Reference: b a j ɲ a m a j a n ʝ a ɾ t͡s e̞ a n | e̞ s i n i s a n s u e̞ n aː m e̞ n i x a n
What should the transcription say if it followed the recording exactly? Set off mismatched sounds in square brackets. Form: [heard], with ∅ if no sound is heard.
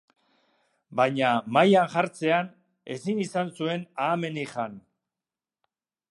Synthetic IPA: b a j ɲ a m a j a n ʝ a ɾ t͡s e̞ a n | e̞ s i n i s a n s u e̞ n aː m e̞ n i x a n

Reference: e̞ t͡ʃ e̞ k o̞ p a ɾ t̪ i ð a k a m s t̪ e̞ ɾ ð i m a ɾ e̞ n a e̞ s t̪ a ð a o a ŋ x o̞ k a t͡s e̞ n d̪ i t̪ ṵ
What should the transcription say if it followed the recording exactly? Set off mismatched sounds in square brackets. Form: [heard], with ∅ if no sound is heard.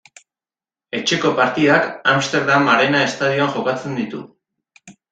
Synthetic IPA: e̞ t͡ʃ e̞ k o̞ p a ɾ t̪ i ð a k a m s t̪ e̞ ɾ ð [a] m a ɾ e̞ n a e̞ s t̪ a ð [i] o a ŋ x o̞ k a t͡s e̞ n d̪ i t̪ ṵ

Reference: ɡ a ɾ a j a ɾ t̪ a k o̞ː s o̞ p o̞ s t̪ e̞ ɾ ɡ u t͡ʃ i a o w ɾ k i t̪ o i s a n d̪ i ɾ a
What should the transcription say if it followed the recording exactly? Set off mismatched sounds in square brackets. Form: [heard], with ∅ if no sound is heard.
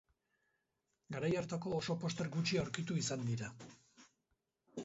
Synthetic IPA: ɡ a ɾ a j a ɾ t̪ a k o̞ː s o̞ p o̞ s t̪ e̞ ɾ ɡ u t͡ʃ i a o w ɾ k i t̪ [u] i s a n d̪ i ɾ a

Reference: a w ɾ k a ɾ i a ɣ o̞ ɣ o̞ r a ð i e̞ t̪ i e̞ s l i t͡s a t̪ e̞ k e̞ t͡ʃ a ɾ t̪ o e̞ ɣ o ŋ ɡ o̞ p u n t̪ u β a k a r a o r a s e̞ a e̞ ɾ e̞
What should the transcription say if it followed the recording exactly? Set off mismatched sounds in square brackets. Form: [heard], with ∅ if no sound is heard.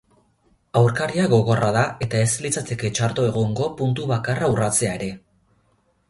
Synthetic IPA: a w ɾ k a ɾ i a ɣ o̞ ɣ o̞ r a ð [a] e̞ t̪ [a] e̞ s l i t͡s a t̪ e̞ k e̞ t͡ʃ a ɾ t̪ o e̞ ɣ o ŋ ɡ o̞ p u n t̪ u β a k a r a [u] r a [t͡s] e̞ a e̞ ɾ e̞

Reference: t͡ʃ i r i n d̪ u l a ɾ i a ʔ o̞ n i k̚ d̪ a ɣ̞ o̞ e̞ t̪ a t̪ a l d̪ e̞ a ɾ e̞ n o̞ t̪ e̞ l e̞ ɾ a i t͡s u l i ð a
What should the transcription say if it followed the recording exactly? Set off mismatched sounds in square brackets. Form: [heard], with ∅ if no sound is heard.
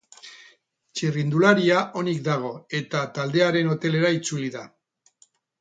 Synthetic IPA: t͡ʃ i r i n d̪ u l a ɾ i a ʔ o̞ n i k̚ d̪ a ɣ̞ o̞ e̞ t̪ a t̪ a l d̪ e̞ a ɾ e̞ n o̞ t̪ e̞ l e̞ ɾ a i t͡s u l i ð a

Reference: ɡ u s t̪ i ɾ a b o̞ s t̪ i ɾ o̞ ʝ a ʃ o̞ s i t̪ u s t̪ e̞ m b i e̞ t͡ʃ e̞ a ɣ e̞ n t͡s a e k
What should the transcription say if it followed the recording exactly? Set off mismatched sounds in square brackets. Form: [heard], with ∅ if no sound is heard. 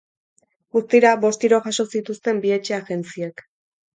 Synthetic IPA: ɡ u s t̪ i ɾ a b o̞ s t̪ i ɾ o̞ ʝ a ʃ o̞ s i t̪ u s t̪ e̞ m b i e̞ t͡ʃ e̞ a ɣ e̞ n t͡s [i] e k

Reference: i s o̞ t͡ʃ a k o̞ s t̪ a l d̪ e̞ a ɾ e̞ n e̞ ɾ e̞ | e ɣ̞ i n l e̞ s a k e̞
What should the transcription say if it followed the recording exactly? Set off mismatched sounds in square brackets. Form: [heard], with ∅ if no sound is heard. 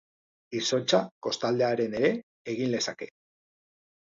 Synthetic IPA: i s o̞ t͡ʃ a k o̞ s t̪ a l d̪ e̞ a ɾ e̞ n e̞ ɾ e̞ | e ɣ̞ i n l e̞ s a k e̞

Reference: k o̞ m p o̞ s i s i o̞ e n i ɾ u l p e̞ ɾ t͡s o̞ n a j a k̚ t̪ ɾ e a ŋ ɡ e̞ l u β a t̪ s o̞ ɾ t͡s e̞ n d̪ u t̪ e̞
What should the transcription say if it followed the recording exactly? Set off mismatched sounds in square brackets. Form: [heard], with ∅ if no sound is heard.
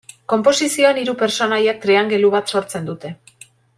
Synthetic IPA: k o̞ m p o̞ s i s i o̞ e n i ɾ u [∅] p e̞ ɾ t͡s o̞ n a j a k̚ t̪ ɾ e a ŋ ɡ e̞ l u β a t̪ s o̞ ɾ t͡s e̞ n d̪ u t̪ e̞

